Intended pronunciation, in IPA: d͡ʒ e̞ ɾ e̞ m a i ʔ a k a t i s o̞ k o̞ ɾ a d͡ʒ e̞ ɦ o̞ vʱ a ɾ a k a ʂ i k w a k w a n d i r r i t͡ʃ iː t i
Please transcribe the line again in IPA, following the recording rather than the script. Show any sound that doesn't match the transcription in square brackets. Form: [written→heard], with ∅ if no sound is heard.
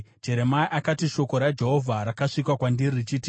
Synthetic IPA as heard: d͡ʒ e̞ ɾ e̞ m a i ʔ a k a t i [s→ʃ] o̞ k o̞ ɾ a d͡ʒ e̞ ɦ o̞ vʱ a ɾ a k a ʂ i k w a k w a n d i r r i t͡ʃ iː t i

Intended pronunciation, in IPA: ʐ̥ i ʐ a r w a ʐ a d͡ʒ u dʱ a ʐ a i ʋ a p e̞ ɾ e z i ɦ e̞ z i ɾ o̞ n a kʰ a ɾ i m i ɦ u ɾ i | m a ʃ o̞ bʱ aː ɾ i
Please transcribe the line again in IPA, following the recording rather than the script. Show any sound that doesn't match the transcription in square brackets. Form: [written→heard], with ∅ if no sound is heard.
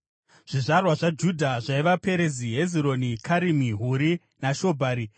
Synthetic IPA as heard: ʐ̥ i ʐ a r w a ʐ a d͡ʒ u dʱ a ʐ a i ʋ a p e̞ ɾ e z i ɦ e̞ z i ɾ o̞ n [a→i] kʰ a ɾ i m i ɦ u ɾ i | [m→n] a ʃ o̞ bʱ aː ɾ i

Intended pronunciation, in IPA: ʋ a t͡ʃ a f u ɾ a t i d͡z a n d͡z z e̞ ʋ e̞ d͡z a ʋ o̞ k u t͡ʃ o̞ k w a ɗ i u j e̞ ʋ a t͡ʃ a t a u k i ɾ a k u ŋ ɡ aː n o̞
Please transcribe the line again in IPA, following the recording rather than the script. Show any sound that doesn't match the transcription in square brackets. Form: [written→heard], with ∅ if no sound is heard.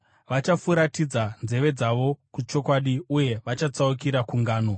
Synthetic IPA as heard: ʋ a t͡ʃ a f u ɾ a t i d͡z a n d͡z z e̞ ʋ e̞ d͡z a ʋ o̞ k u t͡ʃ o̞ k w a ɗ i u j e̞ ʋ a t͡ʃ a [t→t͡s] a u k i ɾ a k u ŋ ɡ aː n o̞

